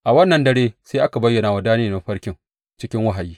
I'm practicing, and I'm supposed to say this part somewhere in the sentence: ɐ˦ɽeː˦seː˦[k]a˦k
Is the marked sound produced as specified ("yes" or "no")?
no